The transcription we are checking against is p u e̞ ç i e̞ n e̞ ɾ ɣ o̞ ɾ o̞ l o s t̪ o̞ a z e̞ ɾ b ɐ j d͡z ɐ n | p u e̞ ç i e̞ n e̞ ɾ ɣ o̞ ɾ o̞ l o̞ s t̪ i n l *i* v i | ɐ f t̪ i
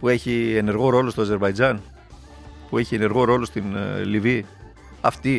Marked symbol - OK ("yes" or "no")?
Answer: yes